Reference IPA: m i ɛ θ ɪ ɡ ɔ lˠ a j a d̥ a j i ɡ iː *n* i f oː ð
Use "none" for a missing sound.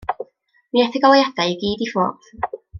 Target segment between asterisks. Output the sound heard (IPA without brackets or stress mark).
d